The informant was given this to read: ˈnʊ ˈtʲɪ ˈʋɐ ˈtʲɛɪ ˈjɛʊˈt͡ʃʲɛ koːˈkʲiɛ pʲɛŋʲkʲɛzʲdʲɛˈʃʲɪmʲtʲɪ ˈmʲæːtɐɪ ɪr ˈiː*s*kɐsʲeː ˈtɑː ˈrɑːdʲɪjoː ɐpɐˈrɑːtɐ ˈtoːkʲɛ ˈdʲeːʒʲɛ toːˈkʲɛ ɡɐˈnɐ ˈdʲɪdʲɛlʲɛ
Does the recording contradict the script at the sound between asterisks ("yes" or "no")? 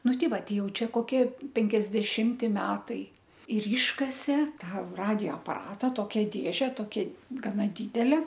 yes